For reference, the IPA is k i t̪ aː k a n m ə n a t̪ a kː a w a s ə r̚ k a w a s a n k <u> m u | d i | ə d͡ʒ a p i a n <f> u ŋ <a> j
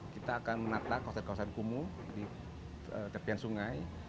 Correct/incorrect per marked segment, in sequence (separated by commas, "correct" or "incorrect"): correct, incorrect, correct